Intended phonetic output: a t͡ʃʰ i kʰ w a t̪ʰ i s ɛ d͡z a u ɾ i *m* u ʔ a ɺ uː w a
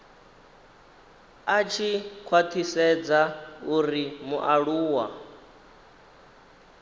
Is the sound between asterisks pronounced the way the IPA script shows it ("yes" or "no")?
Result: yes